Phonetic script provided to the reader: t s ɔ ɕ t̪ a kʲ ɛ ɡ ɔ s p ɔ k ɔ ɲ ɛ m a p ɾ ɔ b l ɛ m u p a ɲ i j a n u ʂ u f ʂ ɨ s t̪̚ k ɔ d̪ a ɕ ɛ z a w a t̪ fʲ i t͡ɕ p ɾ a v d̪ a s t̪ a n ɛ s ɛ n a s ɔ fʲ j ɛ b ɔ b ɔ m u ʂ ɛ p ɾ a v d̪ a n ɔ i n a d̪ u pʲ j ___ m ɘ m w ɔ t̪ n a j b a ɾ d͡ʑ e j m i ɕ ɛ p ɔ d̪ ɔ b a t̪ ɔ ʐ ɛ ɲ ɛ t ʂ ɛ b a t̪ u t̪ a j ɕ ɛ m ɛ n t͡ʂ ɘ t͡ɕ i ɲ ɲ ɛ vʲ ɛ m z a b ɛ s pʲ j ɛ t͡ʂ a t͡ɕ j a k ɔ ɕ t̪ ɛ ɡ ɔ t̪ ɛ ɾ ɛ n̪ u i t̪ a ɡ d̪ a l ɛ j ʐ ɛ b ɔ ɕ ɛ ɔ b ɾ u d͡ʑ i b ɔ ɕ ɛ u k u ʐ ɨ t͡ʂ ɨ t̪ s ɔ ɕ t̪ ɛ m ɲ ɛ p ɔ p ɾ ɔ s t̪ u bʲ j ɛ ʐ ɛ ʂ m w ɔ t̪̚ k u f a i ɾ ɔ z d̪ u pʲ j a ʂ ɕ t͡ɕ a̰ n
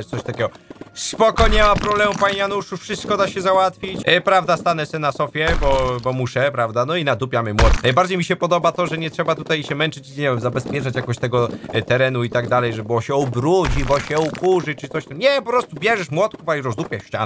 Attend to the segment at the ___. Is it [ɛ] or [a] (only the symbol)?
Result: a